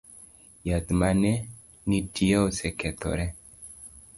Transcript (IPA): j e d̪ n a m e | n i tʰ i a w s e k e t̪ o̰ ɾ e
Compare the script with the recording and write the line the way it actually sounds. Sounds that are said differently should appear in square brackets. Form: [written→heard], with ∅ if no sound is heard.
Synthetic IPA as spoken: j [e→a] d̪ [n→m] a [m→n] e | n i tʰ i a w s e k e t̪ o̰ ɾ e